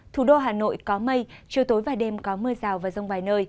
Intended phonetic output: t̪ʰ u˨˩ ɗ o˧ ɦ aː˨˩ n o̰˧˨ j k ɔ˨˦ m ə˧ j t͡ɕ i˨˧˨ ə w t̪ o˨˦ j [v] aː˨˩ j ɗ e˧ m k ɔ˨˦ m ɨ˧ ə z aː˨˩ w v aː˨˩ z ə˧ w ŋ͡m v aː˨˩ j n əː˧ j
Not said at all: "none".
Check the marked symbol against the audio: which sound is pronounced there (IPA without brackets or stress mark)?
v